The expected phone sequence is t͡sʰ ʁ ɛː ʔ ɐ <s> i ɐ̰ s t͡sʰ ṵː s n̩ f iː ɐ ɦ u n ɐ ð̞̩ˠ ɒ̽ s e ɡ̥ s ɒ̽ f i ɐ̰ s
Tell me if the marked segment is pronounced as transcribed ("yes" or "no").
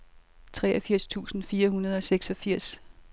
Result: no